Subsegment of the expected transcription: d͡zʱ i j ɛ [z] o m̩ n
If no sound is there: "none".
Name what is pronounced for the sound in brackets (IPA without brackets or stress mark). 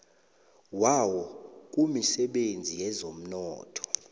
z